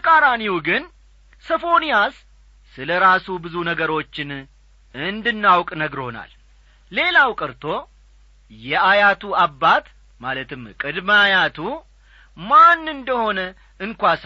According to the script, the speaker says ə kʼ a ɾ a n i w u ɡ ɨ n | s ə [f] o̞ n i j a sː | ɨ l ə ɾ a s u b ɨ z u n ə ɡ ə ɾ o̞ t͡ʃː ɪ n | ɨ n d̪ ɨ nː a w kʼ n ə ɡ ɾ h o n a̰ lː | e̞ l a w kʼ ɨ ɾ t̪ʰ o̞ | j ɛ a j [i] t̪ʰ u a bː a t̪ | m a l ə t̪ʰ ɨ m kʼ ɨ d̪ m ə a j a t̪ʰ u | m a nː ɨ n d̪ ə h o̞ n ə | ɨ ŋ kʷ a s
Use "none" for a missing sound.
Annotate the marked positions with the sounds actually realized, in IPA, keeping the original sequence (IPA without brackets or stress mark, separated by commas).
f, a